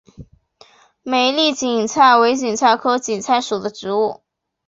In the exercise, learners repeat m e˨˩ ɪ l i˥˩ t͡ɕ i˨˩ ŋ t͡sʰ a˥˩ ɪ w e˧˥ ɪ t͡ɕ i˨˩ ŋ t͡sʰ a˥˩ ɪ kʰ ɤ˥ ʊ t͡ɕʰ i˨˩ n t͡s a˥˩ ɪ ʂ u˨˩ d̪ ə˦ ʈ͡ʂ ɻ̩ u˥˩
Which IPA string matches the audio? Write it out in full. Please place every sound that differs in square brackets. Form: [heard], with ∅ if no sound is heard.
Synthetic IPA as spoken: m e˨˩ ɪ l i˥˩ t͡ɕ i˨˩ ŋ t͡sʰ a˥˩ ɪ w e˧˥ ɪ t͡ɕ i˨˩ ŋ t͡sʰ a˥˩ ɪ kʰ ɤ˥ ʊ [t͡ɕ] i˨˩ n [t͡sʰ] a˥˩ ɪ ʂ u˨˩ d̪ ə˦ ʈ͡ʂ ɻ̩ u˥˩